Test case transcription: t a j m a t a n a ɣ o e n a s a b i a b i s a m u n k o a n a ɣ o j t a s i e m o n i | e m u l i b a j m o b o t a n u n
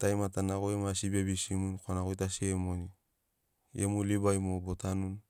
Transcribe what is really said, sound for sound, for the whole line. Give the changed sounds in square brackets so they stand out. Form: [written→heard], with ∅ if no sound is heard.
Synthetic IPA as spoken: t a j m a t a n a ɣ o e [n→m] a s [a→i] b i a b i s [a→i] m u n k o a n a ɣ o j t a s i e m o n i | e m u l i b a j m o b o t a n u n